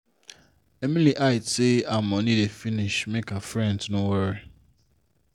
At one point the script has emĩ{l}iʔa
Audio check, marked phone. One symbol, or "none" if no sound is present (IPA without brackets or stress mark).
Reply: l